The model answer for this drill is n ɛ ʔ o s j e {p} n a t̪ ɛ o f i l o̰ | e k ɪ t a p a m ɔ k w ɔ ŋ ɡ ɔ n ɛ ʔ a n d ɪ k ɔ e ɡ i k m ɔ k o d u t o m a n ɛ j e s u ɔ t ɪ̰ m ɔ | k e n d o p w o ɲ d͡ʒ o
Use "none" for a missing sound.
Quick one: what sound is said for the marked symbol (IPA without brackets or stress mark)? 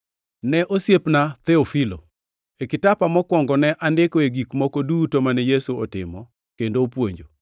p